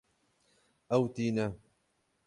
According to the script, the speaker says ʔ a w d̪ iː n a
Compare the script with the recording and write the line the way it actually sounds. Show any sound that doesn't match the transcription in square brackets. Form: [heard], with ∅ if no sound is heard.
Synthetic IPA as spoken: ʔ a w [t̪] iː n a

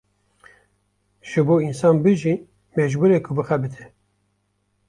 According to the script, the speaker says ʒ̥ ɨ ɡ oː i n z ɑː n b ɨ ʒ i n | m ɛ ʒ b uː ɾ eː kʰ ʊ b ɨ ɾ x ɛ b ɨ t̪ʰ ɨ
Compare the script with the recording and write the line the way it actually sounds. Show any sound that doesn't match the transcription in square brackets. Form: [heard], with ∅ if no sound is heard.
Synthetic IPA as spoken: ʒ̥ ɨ [b] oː i n [s] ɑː n b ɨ ʒ i n | m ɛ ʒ b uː ɾ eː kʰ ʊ b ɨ [∅] x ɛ b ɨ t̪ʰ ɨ

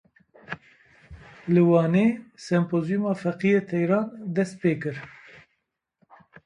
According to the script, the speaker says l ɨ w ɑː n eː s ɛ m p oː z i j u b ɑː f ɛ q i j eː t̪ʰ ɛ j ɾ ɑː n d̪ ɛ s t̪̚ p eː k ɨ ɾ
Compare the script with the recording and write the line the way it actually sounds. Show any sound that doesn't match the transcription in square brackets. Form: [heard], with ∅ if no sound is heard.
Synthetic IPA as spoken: l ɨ w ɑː n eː s ɛ m p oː z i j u [m] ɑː f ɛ q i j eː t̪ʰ ɛ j ɾ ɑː n d̪ ɛ s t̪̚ p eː k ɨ ɾ

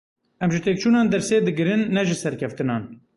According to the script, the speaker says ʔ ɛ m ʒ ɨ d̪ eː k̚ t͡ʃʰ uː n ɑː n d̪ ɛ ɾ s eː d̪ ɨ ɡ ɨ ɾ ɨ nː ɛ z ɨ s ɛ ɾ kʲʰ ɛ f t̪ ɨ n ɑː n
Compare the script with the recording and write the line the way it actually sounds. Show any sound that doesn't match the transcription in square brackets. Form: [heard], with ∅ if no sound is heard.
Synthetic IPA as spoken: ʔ ɛ m ʒ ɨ [t̪] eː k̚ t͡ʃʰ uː n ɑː n d̪ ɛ ɾ s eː d̪ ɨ ɡ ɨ ɾ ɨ nː ɛ [ʒ] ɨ s ɛ ɾ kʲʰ ɛ f t̪ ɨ n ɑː n

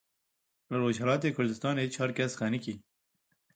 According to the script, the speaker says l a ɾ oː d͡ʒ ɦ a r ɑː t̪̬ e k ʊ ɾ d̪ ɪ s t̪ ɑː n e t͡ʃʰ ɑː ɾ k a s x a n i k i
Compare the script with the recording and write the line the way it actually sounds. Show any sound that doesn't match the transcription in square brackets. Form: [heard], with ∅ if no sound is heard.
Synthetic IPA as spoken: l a ɾ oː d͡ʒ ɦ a [l] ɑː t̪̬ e k ʊ ɾ d̪ ɪ s t̪ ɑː n e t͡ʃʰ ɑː ɾ k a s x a n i k i

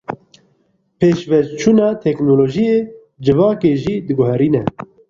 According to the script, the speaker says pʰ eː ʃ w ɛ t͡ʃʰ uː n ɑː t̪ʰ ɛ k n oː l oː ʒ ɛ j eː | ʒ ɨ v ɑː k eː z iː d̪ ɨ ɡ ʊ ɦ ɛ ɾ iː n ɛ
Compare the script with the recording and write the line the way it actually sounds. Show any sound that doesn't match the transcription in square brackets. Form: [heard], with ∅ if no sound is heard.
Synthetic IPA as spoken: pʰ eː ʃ [v] ɛ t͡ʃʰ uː n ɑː t̪ʰ ɛ k n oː l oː ʒ [i] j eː | [d͡ʒ] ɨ v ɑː k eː [ʒ] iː d̪ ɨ ɡ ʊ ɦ ɛ ɾ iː n ɛ

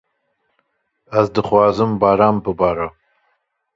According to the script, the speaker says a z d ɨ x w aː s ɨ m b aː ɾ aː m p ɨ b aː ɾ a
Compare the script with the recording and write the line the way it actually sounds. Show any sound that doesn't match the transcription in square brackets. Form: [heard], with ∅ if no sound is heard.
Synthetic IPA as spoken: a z d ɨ [χ] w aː [z] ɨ m b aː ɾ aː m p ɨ b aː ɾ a

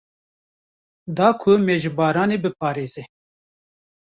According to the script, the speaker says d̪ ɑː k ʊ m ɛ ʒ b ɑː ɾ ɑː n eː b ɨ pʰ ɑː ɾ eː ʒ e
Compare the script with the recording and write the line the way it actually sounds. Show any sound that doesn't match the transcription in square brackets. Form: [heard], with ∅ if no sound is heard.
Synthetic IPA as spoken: d̪ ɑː [kʰ] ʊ m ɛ ʒ b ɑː ɾ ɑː n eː b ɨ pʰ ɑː ɾ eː [z] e

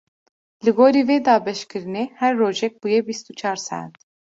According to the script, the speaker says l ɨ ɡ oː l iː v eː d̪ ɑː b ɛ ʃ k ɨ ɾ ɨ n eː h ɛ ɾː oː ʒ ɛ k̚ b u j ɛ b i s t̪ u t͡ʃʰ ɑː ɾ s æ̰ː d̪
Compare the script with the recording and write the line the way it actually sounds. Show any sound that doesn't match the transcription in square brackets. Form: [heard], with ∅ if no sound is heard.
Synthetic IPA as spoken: l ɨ ɡ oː [ɾ] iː v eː d̪ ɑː b ɛ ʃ k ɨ ɾ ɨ n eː h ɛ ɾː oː ʒ ɛ k̚ b u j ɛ b i s t̪ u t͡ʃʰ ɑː ɾ s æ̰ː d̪

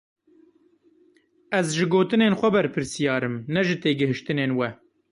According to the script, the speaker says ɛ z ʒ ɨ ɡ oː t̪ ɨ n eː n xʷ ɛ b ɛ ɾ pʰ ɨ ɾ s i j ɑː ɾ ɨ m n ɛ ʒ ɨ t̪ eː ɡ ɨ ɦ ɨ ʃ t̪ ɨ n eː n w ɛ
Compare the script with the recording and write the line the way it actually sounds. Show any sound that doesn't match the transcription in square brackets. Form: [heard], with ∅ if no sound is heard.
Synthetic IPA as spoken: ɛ z ʒ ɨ ɡ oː t̪ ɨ n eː n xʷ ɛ b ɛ ɾ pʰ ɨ ɾ s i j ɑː ɾ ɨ m n ɛ ʒ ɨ t̪ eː ɡ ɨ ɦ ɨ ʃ t̪ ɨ n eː n w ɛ

